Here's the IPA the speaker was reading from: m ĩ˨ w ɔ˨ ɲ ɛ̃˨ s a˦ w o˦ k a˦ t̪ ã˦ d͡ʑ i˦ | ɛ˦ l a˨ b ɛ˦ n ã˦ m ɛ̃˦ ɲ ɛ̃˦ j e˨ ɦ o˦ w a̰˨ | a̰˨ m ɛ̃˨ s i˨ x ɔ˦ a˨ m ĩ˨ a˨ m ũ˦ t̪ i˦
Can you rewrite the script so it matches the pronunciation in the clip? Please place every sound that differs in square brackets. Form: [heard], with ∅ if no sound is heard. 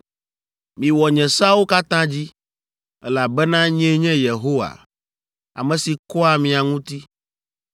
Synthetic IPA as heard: m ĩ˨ w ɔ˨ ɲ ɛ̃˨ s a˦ w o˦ k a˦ t̪ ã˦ d͡ʑ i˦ | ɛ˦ l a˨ b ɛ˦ n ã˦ [ɲ] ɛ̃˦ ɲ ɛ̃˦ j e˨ ɦ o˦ w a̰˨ | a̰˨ m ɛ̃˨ s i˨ [k] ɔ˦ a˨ m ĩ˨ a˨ [ŋ] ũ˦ t̪ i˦

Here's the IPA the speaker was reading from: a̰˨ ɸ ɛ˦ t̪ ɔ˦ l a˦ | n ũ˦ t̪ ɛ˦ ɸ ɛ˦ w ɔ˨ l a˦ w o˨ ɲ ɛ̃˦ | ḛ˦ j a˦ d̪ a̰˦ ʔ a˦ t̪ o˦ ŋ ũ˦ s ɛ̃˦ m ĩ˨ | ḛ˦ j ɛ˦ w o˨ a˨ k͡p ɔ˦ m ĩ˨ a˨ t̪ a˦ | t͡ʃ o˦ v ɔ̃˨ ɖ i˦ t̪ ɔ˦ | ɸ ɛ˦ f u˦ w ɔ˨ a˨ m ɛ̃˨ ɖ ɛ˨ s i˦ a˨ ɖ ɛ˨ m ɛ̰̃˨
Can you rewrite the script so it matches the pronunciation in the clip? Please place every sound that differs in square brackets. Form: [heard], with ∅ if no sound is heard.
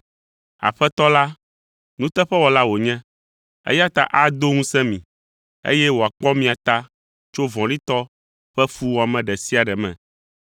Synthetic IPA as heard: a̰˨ ɸ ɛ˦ t̪ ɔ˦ l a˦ | n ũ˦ t̪ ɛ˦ ɸ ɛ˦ w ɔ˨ l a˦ w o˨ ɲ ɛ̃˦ | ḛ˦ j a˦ [t̪] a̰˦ ʔ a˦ [d̪] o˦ ŋ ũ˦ s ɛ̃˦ m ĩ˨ | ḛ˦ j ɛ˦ w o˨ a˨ k͡p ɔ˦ m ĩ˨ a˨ t̪ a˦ | t͡ʃ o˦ v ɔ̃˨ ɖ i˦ t̪ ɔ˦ | ɸ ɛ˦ f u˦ w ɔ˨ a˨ m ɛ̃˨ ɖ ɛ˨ s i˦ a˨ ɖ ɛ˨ m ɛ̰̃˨

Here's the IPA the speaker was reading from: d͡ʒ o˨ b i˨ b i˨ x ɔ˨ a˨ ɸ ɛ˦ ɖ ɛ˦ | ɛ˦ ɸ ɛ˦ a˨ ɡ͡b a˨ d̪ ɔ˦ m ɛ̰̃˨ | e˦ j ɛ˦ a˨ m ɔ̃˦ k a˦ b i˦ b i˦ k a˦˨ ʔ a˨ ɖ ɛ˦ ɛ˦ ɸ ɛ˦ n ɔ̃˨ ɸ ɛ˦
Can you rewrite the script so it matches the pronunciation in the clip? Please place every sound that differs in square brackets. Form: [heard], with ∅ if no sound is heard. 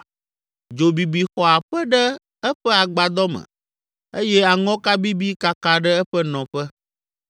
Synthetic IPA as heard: d͡ʒ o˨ b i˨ b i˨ x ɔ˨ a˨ ɸ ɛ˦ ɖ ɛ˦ | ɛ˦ ɸ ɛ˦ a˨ ɡ͡b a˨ d̪ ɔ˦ m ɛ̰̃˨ | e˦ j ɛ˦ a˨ [ŋ] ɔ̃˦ k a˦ b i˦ b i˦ k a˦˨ [k] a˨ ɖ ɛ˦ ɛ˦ ɸ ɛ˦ n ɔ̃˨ ɸ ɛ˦

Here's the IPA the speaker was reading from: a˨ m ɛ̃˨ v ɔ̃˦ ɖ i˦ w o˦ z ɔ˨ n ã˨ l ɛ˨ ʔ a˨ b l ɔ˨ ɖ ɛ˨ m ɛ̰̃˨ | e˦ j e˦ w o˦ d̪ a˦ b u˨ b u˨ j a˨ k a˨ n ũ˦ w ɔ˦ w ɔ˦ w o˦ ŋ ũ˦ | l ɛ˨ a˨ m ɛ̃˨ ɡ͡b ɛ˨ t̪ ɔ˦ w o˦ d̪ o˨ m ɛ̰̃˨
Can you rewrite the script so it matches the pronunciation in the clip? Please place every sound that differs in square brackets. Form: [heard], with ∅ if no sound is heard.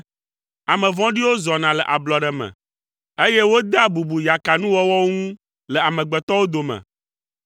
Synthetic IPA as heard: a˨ m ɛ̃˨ v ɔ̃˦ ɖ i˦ w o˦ z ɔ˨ n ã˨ l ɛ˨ ʔ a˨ b l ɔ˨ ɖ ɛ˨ m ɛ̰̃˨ | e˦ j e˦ w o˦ d̪ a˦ b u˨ b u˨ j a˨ k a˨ n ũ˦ w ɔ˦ w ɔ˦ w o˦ ŋ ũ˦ | l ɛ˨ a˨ m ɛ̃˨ ɡ͡b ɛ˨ t̪ ɔ˦ w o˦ d̪ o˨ m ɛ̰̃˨

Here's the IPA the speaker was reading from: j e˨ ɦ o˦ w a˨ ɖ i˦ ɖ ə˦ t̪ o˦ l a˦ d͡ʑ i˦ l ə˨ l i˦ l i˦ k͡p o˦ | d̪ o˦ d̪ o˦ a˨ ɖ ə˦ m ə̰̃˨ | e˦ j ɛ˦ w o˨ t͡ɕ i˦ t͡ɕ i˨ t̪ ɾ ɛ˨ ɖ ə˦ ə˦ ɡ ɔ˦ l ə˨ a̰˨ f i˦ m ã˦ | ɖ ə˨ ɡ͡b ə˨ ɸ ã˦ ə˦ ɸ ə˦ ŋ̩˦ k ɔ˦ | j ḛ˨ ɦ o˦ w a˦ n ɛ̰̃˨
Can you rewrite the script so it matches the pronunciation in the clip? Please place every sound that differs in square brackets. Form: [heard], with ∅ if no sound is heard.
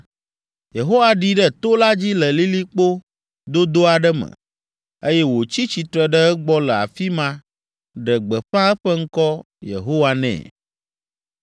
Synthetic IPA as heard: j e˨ ɦ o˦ w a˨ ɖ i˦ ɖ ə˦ t̪ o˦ l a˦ d͡ʑ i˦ l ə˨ l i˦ l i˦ k͡p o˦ | d̪ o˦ d̪ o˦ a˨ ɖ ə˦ m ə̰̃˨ | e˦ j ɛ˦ w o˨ t͡ɕ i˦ t͡ɕ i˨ t̪ ɾ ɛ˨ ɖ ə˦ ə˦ [ɡ͡b] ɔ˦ l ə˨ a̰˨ f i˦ m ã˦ | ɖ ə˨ ɡ͡b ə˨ ɸ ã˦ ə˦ ɸ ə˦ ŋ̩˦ k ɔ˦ | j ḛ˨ ɦ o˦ w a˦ n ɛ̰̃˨

